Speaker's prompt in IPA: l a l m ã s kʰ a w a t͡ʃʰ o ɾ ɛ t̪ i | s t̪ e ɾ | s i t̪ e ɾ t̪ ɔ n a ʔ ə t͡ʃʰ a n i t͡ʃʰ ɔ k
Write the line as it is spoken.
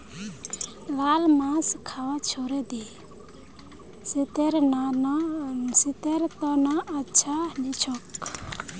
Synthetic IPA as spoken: l a l m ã s kʰ a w a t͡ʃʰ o ɾ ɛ d̪ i | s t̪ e ɾ | s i t̪ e ɾ t̪ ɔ n a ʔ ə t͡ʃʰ a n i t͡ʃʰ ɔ k